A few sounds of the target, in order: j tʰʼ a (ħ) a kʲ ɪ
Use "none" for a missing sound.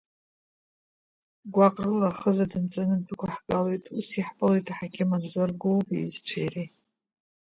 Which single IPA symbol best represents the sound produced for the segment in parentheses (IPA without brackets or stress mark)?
ħ